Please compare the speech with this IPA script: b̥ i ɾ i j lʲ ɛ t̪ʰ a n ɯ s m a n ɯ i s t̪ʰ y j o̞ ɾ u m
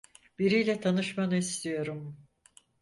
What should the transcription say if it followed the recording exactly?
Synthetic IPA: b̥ i ɾ i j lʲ ɛ t̪ʰ a n ɯ ʃ m a n ɯ i s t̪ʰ i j o̞ ɾ u m